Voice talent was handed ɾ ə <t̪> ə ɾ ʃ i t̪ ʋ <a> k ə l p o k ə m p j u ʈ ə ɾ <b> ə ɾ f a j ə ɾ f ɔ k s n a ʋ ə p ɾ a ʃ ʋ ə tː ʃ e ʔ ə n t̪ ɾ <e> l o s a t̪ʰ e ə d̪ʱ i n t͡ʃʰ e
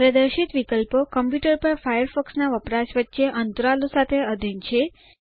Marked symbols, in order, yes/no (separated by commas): no, no, no, no